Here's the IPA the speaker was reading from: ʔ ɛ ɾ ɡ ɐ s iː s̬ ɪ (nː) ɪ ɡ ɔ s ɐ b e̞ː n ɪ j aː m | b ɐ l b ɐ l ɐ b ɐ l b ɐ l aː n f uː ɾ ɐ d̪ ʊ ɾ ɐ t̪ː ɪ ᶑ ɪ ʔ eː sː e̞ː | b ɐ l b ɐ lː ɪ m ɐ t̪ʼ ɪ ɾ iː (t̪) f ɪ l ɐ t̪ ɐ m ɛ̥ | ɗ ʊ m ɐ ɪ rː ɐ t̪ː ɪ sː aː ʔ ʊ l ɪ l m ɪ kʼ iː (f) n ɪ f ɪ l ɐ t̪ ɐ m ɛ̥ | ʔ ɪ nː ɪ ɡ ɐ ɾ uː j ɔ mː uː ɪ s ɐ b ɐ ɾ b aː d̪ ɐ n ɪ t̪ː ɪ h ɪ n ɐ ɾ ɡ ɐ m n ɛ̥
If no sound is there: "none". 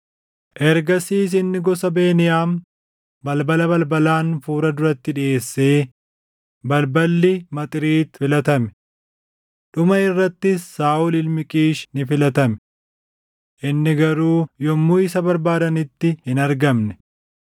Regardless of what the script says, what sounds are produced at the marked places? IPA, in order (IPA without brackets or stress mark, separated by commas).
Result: nː, t̪, ʃ